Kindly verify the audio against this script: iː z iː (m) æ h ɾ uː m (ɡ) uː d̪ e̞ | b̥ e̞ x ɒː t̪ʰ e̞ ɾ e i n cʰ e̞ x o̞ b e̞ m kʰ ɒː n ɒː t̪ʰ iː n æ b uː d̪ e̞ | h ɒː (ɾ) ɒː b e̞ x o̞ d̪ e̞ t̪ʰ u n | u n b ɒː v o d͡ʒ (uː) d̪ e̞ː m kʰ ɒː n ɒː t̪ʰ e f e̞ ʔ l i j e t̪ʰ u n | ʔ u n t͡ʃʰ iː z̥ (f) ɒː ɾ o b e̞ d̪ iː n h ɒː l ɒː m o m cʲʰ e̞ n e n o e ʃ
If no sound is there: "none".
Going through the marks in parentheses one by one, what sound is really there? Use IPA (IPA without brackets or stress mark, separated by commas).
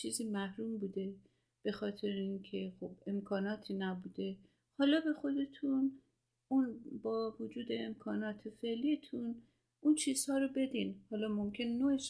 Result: m, b, l, uː, h